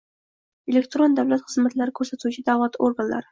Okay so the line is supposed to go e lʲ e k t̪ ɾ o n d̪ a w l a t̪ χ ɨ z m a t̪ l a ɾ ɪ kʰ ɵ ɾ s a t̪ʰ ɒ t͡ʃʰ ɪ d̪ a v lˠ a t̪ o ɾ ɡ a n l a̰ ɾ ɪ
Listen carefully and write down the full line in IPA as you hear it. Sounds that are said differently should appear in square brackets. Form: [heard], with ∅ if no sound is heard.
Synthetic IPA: e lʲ e k t̪ ɾ o n d̪ a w l a t̪ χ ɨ z m a t̪ l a ɾ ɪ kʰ ɵ ɾ s a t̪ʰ [u] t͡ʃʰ ɪ d̪ a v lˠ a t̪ o ɾ ɡ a n l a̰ ɾ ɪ